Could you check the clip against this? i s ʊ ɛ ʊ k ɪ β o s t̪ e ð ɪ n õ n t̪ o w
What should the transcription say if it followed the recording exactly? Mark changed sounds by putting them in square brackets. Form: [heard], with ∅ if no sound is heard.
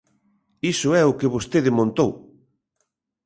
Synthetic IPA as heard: i s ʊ ɛ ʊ k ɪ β o s t̪ e ð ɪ [m] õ n t̪ o w